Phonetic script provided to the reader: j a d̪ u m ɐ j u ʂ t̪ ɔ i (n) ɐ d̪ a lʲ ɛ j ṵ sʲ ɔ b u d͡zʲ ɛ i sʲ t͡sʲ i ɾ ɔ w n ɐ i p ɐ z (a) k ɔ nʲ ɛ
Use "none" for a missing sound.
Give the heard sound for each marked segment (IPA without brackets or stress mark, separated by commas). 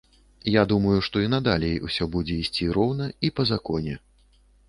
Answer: n, a